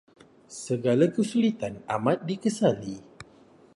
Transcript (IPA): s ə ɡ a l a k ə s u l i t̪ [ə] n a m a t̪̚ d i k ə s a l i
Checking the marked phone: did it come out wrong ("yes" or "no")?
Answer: yes